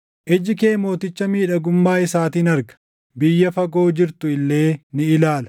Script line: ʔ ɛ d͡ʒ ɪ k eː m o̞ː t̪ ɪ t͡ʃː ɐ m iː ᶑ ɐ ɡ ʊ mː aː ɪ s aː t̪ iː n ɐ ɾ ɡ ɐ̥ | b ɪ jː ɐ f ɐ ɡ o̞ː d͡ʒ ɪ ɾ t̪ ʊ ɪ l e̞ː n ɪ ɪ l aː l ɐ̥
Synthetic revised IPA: ʔ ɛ d͡ʒ ɪ k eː m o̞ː t̪ ɪ t͡ʃː ɐ m iː ᶑ ɐ ɡ ʊ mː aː ɪ s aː t̪ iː n ɐ ɾ ɡ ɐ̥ | b ɪ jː ɐ f ɐ ɡ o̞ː d͡ʒ ɪ ɾ t̪ ʊ ɪ lː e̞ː n ɪ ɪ l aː l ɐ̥